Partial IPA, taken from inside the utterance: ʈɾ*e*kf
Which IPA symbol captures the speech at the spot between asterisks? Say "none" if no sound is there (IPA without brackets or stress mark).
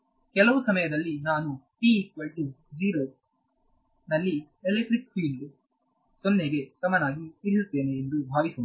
i